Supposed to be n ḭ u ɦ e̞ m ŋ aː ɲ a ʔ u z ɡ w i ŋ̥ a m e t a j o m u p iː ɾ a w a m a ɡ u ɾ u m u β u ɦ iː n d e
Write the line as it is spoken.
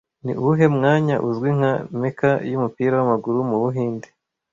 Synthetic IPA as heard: n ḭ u ɦ e̞ m ŋ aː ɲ a ʔ u z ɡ w i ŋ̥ a m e k a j u m u p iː ɾ a w a m a ɡ u ɾ u m u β u ɦ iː n d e